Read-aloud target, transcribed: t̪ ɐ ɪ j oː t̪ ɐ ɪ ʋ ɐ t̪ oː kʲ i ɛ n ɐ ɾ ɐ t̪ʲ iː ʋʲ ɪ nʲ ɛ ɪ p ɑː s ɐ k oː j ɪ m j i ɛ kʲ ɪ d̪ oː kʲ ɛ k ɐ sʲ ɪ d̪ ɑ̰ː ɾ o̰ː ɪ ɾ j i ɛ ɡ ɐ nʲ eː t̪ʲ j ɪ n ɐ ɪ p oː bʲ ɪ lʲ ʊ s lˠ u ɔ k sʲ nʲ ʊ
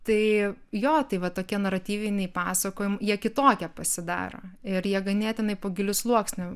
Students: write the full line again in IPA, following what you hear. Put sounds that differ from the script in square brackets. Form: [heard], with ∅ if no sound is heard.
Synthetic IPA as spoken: t̪ ɐ ɪ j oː t̪ ɐ ɪ ʋ ɐ t̪ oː kʲ i ɛ n ɐ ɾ ɐ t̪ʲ iː ʋʲ ɪ nʲ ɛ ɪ p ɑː s ɐ k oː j ɪ m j i ɛ kʲ ɪ [t̪] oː kʲ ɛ [p] ɐ sʲ ɪ d̪ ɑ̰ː ɾ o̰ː ɪ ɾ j i ɛ ɡ ɐ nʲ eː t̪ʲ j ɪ n ɐ ɪ p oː [ɡʲ] ɪ lʲ ʊ s lˠ u ɔ k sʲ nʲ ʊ